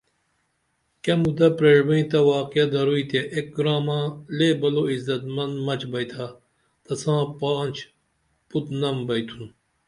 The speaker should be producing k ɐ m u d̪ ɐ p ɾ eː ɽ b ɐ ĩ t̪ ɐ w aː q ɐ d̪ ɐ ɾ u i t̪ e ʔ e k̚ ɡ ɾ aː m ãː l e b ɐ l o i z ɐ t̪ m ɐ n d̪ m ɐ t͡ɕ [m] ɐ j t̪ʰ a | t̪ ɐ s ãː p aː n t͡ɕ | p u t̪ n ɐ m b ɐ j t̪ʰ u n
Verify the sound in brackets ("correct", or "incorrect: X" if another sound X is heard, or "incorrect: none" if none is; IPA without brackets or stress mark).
incorrect: b